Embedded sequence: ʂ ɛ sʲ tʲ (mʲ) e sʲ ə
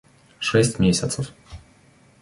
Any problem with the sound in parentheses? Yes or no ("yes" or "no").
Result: no